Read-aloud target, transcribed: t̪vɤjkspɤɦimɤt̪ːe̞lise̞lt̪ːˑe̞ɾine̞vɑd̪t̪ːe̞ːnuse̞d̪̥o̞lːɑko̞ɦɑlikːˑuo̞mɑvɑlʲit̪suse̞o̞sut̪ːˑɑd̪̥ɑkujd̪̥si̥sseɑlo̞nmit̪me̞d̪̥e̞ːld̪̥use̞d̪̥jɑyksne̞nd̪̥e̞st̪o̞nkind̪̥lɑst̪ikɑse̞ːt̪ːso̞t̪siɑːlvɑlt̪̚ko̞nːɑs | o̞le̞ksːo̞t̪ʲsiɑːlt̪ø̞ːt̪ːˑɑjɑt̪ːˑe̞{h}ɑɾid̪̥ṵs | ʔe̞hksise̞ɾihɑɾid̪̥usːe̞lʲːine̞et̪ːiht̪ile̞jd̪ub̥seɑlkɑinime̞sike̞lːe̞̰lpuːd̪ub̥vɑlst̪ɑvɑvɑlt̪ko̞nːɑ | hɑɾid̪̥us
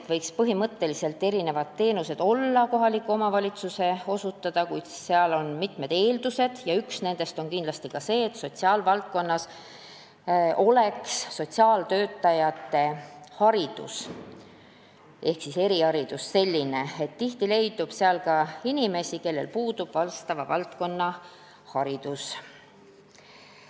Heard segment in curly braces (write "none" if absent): h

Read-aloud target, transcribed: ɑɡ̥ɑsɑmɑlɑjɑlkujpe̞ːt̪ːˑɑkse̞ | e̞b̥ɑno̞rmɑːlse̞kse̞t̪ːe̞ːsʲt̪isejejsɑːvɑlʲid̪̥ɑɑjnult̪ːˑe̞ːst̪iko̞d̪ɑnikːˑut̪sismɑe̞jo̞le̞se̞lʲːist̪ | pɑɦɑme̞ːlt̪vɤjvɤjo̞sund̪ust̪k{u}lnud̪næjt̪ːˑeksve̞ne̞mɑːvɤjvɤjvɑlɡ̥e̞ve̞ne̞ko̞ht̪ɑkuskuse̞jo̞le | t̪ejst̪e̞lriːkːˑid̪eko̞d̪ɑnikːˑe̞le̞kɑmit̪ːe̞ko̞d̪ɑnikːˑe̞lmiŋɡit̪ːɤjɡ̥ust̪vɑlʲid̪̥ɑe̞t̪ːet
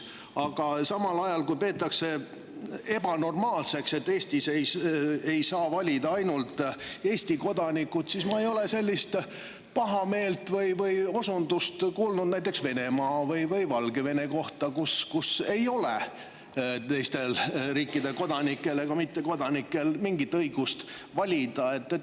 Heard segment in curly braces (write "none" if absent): uː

